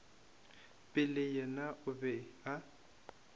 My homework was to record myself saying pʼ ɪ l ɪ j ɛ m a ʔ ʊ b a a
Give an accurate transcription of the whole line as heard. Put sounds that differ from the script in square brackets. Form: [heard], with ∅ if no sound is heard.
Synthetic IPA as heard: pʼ ɪ l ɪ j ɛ [n] a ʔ ʊ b [ɛ] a